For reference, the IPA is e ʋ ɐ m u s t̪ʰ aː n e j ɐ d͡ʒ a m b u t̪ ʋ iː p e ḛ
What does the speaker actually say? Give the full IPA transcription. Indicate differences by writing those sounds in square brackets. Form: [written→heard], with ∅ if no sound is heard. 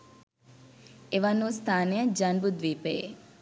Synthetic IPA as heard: e ʋ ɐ [m→n] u s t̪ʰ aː n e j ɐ d͡ʒ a [m→n] b u [t̪→d̪] ʋ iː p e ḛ